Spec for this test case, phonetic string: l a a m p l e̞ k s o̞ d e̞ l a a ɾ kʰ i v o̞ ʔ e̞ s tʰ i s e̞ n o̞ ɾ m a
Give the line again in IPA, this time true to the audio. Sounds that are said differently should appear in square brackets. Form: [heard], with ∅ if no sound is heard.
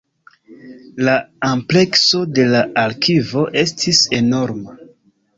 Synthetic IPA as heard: l a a m p l e̞ k s o̞ d e̞ l a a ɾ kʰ i v o̞ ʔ e̞ s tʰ i s e̞ n o̞ ɾ m a